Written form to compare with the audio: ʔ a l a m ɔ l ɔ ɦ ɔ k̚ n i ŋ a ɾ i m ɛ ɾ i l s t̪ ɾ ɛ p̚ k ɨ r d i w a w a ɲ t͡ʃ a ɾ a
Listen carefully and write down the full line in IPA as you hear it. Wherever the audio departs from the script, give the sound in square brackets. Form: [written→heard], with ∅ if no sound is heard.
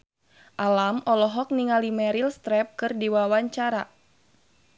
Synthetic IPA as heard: ʔ a l a m ɔ l ɔ ɦ ɔ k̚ n i ŋ a [ɾ→l] i m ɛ ɾ i l s t̪ ɾ ɛ p̚ k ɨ r d i w a w a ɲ t͡ʃ a ɾ a

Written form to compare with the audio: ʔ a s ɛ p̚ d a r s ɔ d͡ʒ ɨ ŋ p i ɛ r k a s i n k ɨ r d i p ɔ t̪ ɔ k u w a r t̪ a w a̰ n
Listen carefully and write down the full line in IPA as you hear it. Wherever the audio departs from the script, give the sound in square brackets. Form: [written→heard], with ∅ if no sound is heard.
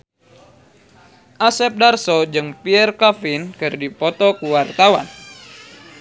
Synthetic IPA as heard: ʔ a s ɛ p̚ d a r s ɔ d͡ʒ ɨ ŋ p i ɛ r k a [s→f] i n k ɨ r d i p ɔ t̪ ɔ k u w a r t̪ a w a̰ n

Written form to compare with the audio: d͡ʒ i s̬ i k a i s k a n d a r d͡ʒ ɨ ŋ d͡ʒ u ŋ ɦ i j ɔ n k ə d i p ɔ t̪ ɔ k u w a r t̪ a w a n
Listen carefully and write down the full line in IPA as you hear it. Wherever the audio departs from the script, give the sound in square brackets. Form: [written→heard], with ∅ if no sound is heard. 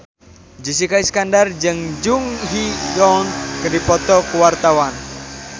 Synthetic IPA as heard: d͡ʒ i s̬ i k a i s k a n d a r d͡ʒ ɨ ŋ d͡ʒ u ŋ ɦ i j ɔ n k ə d i p ɔ t̪ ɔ k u w a r t̪ a w a n

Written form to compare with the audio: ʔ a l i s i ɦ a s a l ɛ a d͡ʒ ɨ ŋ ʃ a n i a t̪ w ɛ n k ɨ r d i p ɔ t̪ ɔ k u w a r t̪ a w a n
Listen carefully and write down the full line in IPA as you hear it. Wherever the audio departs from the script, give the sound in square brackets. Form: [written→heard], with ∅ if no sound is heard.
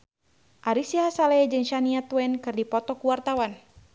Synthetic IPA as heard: ʔ a [l→ɾ] i s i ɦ a s a l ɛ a d͡ʒ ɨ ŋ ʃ a n i a t̪ w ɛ n k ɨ r d i p ɔ t̪ ɔ k u w a r t̪ a w a n

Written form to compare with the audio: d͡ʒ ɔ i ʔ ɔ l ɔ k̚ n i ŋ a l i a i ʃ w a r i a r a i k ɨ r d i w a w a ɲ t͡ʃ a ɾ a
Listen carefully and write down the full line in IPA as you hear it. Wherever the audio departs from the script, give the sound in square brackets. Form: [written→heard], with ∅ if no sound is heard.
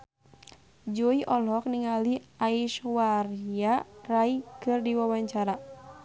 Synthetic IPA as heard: d͡ʒ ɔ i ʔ ɔ l ɔ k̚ n i ŋ a l i a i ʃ w a r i a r a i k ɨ r d i w a w a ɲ t͡ʃ a ɾ a

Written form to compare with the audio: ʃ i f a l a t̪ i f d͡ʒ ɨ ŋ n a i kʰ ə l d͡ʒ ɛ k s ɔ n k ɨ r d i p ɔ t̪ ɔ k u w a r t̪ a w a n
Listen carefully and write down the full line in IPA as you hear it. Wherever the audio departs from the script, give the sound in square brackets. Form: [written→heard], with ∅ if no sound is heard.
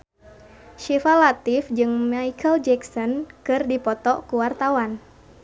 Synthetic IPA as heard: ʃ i f a l a t̪ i f d͡ʒ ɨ ŋ [n→m] a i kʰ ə l d͡ʒ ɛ k s ɔ n k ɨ r d i p ɔ t̪ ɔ k u w a r t̪ a w a n

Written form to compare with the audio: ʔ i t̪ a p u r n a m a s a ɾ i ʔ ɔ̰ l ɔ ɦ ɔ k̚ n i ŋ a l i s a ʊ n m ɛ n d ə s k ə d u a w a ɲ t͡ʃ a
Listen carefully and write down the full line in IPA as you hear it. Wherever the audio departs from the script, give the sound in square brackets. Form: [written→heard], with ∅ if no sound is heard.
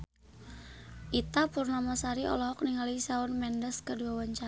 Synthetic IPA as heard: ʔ i t̪ a p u r n a m a s a ɾ i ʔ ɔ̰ l ɔ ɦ ɔ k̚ n i ŋ a l i s a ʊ n m ɛ n d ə s k ə d u a w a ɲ t͡ʃ a

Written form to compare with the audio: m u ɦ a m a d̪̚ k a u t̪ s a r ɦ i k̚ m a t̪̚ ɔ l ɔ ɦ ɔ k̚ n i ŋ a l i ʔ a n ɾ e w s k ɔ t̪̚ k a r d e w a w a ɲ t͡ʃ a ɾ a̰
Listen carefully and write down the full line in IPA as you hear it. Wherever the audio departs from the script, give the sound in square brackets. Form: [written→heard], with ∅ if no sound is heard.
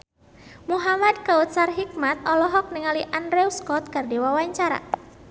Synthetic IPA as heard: m u ɦ a m a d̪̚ k a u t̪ s a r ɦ i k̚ m a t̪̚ ɔ l ɔ ɦ ɔ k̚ n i ŋ a l i ʔ a n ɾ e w s k ɔ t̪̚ k a r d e w a w a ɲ t͡ʃ a ɾ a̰

